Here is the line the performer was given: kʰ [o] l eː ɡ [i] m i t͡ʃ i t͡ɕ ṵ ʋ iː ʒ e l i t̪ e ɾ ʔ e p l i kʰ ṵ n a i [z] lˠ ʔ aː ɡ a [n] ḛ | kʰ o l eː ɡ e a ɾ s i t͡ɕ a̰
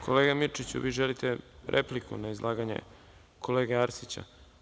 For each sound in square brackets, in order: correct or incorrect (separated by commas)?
correct, incorrect, correct, incorrect